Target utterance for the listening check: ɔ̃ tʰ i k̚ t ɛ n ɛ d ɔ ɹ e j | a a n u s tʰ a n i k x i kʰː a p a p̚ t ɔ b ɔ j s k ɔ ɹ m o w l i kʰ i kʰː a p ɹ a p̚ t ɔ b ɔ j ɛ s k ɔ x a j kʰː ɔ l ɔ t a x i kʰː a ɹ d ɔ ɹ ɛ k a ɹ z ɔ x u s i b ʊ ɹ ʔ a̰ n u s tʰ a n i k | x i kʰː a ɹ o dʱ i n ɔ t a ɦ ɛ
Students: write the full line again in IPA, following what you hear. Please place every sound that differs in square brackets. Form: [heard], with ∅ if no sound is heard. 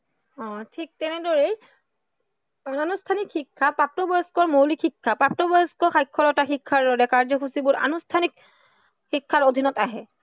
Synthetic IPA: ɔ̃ tʰ i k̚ t ɛ n ɛ d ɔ ɹ e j | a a n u s tʰ a n i k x i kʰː a p a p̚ t ɔ b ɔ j s k ɔ ɹ m o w l i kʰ i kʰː a p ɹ a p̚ t ɔ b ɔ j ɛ s k ɔ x a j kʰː ɔ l ɔ t a x i kʰː a ɹ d ɔ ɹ ɛ k a ɹ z ɔ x u s i b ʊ ɹ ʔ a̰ n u s tʰ a n i k | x i kʰː a ɹ o dʱ i n ɔ t a ɦ ɛ